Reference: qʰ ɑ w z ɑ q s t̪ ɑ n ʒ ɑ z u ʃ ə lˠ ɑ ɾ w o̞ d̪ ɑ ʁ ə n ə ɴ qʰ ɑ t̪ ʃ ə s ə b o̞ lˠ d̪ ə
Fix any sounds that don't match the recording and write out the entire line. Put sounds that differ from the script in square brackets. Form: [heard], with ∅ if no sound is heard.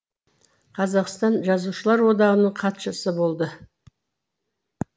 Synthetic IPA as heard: qʰ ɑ [∅] z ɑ q s t̪ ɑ n ʒ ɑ z u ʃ ə lˠ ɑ ɾ w o̞ d̪ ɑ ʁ ə n ə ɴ qʰ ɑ t̪ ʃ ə s ə b o̞ lˠ d̪ ə